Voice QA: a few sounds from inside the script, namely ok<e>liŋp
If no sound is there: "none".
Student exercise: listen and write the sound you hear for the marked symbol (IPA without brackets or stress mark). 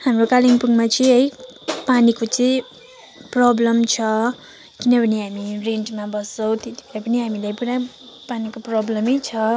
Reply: a